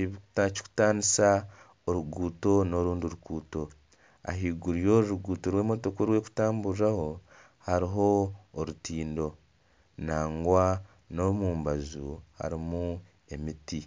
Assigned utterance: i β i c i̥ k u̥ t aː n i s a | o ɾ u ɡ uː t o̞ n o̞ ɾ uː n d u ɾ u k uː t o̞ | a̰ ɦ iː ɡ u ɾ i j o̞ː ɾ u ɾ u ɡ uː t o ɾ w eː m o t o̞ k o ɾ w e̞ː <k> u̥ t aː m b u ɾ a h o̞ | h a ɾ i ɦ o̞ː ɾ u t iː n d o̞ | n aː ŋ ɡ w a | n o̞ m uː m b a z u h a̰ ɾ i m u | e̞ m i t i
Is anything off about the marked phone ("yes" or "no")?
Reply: no